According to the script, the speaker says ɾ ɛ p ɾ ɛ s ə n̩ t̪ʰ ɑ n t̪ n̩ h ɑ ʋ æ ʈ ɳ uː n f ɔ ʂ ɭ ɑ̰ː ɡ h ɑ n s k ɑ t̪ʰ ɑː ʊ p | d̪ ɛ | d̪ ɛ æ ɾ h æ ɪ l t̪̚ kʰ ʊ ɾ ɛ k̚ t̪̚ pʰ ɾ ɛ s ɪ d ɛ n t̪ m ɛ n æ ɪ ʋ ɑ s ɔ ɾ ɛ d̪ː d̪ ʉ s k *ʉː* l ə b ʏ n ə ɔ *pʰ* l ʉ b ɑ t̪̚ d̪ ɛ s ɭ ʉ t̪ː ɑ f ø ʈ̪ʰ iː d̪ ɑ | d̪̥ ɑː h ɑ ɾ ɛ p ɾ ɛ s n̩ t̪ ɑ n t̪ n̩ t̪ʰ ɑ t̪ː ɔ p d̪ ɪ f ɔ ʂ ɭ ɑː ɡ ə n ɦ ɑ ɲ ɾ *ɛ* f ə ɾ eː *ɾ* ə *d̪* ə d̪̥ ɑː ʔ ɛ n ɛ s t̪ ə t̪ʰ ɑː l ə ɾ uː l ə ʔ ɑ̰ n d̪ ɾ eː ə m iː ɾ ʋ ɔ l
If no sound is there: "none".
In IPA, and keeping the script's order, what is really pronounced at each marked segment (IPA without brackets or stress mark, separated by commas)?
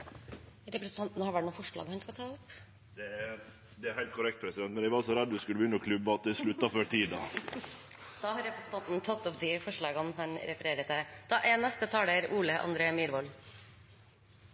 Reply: ʉ, kʰ, ɛ, ɾ, t̪